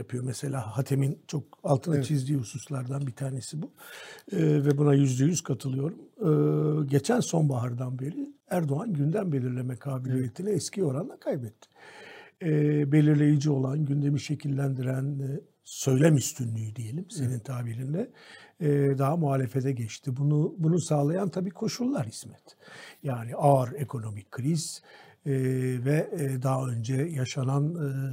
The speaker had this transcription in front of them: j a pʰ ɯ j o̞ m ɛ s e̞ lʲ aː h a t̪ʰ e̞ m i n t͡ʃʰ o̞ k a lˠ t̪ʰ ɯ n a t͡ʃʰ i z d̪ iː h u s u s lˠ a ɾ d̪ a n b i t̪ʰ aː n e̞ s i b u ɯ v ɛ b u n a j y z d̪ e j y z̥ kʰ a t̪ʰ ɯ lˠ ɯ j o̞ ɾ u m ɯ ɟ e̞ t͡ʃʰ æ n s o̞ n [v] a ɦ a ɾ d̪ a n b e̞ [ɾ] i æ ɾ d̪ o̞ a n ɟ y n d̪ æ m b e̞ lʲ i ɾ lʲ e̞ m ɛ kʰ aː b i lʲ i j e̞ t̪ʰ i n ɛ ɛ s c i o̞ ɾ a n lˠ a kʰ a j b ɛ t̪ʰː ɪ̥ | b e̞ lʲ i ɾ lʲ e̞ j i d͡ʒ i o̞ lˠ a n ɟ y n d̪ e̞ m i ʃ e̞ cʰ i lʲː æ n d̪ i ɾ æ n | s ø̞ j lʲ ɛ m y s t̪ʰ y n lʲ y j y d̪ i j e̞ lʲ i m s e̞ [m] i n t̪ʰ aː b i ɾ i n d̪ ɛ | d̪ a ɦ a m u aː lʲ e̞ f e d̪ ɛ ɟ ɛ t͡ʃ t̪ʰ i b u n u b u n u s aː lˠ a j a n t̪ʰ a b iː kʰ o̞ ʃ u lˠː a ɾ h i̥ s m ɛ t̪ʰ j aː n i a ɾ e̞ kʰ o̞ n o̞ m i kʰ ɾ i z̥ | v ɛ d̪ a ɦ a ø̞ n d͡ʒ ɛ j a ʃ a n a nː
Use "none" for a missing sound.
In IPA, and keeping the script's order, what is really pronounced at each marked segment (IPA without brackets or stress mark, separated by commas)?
b, ɾ, n